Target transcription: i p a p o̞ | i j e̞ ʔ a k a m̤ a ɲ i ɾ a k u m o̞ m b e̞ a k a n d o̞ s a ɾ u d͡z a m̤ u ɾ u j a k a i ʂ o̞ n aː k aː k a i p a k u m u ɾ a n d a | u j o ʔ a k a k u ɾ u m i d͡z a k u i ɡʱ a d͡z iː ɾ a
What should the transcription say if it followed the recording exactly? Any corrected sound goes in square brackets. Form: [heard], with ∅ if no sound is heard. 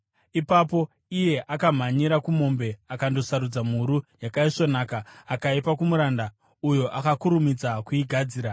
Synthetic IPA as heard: i p a p o̞ | i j e̞ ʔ a k a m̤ a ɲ i ɾ a k u m o̞ m b e̞ a k a n d o̞ s a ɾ u d͡z a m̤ u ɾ u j a k a i ʂ o̞ n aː k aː k a i p a k u m u ɾ a n d a | u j o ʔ a k a k u ɾ u m i d͡z a k u i ɡʱ a d͡z iː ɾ a